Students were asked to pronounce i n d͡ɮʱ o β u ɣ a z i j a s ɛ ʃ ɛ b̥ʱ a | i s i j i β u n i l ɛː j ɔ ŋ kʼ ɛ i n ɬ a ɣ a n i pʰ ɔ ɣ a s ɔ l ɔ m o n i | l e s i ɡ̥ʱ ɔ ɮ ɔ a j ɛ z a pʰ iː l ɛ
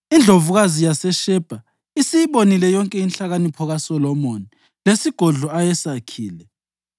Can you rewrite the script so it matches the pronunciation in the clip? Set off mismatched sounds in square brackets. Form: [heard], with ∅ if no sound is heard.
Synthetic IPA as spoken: i n d͡ɮʱ o [v] u ɣ a z i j a s ɛ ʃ ɛ b̥ʱ a | i s i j i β [o] n i l [ɛ] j ɔ ŋ kʼ ɛ i n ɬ a ɣ a n i pʰ ɔ ɣ a s ɔ l ɔ m o n i | l e s i ɡ̥ʱ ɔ ɮ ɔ a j ɛ [s] a [kʰ] iː l ɛ

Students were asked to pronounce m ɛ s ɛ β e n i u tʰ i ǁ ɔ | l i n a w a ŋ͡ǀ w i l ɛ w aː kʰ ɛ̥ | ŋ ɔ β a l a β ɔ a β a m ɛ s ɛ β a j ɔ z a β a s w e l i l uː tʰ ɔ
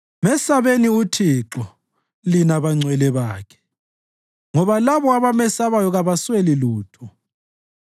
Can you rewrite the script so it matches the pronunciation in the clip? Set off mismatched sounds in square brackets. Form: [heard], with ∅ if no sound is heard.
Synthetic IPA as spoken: m ɛ s [a] β e n i u tʰ i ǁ ɔ | l i n a [β] a ŋ͡ǀ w [ɛ] l ɛ [β] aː kʰ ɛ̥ | ŋ ɔ β a l a β ɔ a β a m ɛ s [a] β a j ɔ [ɣ] a β a s w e l i l uː tʰ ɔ

